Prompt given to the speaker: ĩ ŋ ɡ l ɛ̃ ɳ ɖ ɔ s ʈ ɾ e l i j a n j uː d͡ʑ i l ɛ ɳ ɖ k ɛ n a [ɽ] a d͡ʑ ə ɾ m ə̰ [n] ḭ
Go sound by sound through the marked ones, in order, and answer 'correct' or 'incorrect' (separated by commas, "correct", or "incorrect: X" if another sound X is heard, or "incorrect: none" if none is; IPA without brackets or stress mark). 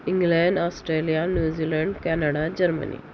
correct, correct